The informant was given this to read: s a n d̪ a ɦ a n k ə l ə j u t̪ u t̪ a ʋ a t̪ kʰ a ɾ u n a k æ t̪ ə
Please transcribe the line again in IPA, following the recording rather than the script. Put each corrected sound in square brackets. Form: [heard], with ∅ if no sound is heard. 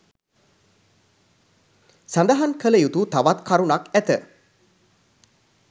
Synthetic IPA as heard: s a n d̪ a ɦ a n k ə l ə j u t̪ u t̪ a ʋ a t̪ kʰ a ɾ u n a k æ t̪ ə